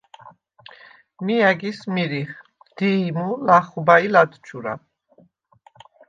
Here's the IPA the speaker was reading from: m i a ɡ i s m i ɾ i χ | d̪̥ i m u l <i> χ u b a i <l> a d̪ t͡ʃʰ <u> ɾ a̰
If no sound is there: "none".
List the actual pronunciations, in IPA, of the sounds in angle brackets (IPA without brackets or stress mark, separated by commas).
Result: a, l, u